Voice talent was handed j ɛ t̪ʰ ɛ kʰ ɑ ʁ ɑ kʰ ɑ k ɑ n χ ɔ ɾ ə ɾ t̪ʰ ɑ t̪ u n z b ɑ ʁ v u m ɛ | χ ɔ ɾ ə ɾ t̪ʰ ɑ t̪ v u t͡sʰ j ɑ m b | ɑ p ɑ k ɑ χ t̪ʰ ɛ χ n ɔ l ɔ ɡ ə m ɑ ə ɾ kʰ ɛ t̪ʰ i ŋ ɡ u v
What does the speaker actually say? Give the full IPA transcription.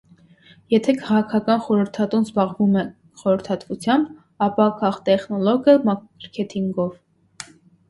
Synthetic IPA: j ɛ t̪ʰ ɛ kʰ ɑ ʁ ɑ kʰ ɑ k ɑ n χ ɔ ɾ ə ɾ t̪ʰ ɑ t̪ u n z b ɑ ʁ v u m ɛ | χ ɔ ɾ ə ɾ t̪ʰ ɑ t̪ v u t͡sʰ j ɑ m b | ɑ p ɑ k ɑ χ t̪ ɛ χ n ɔ l ɔ ɡ ə m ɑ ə ɾ kʰ ɛ t̪ʰ i ŋ ɡ ɔ v